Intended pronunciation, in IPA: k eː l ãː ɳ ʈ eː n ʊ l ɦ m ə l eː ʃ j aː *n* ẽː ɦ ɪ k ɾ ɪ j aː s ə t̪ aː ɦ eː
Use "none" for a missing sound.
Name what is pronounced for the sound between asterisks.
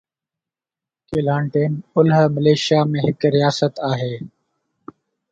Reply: m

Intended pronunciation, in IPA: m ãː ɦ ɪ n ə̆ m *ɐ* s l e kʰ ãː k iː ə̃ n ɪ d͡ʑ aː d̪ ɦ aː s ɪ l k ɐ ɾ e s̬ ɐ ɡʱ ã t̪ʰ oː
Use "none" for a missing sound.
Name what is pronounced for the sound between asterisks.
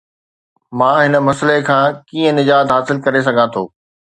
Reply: ɐ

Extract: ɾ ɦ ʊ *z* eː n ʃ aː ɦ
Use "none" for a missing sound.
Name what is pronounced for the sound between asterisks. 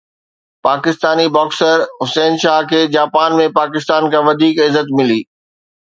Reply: s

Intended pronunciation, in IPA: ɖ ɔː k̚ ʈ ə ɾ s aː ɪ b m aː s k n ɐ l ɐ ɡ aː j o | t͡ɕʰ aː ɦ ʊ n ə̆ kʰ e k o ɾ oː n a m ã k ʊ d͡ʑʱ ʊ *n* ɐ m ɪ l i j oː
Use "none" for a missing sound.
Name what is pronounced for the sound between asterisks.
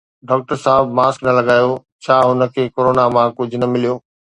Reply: n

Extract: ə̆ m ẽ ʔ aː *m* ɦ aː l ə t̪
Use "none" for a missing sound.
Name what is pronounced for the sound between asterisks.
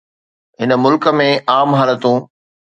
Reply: m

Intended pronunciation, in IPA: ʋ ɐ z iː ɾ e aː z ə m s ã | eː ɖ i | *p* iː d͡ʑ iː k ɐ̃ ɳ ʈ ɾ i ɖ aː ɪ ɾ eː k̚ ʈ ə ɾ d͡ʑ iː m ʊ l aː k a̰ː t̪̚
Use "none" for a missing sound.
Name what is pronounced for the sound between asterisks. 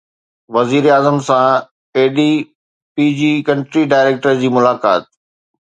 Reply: p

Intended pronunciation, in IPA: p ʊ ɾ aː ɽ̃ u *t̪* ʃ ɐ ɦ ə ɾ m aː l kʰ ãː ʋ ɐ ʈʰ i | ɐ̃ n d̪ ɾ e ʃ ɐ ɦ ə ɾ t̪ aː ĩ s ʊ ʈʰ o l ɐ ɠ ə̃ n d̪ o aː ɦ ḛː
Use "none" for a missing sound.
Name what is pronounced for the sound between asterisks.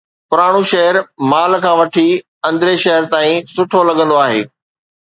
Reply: none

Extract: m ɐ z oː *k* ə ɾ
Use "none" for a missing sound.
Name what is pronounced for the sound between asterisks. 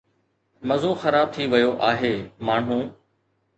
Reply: x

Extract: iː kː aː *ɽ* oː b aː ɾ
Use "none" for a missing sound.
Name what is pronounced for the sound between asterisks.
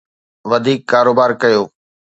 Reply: ɾ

